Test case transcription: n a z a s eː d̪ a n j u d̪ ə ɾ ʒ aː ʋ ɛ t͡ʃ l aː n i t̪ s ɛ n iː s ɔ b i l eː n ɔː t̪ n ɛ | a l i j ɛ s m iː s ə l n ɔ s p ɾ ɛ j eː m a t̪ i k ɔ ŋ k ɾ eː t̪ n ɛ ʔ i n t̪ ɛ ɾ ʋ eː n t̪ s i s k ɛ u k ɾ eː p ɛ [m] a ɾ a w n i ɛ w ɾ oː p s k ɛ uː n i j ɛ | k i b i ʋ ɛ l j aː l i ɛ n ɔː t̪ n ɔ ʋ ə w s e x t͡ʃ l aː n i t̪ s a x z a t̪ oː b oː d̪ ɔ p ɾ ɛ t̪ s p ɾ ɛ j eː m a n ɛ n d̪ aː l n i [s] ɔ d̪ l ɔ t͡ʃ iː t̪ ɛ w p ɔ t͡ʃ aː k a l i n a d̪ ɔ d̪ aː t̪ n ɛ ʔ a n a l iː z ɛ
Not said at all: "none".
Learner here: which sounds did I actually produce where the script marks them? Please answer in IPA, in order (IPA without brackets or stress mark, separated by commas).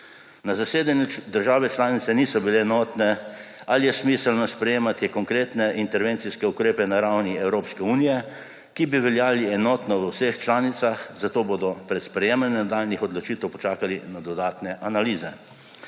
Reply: n, x